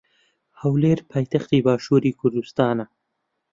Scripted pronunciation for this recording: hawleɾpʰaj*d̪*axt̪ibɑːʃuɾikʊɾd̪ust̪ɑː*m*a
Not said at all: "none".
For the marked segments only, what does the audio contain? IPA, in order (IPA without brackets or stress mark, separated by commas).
t̪, n